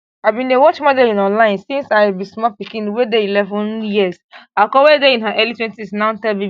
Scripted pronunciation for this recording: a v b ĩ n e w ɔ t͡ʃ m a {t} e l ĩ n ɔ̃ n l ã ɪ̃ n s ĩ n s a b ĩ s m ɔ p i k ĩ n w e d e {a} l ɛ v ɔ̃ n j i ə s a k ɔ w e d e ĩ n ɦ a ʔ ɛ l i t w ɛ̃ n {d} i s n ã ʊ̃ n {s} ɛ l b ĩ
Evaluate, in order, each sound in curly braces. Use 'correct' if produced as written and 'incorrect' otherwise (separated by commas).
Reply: incorrect, incorrect, incorrect, incorrect